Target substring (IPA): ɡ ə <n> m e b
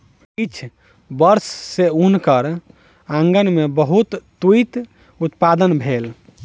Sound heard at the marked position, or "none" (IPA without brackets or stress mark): n